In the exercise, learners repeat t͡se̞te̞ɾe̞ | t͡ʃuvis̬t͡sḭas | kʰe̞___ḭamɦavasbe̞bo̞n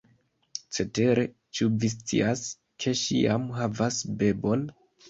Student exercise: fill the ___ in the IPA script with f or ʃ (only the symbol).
ʃ